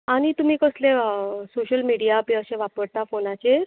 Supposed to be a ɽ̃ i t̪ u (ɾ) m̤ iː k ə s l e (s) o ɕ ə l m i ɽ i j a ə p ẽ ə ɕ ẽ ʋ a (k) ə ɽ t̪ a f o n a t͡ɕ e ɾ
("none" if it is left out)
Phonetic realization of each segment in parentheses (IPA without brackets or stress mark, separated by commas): none, s, p